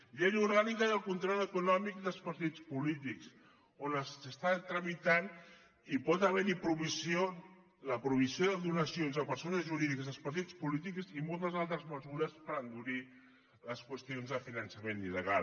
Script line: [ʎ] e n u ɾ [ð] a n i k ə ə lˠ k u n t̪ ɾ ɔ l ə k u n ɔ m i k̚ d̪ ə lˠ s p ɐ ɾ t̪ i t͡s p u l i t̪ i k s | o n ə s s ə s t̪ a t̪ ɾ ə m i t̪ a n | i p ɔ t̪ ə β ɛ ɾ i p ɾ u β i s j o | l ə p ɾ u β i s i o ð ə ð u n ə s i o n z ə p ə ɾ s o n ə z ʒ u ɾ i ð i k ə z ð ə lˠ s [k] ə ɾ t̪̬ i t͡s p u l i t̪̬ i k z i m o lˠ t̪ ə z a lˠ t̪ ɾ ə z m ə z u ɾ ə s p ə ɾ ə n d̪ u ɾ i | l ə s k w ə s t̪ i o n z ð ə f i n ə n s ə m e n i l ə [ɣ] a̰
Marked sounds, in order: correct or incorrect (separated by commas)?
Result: correct, incorrect, incorrect, correct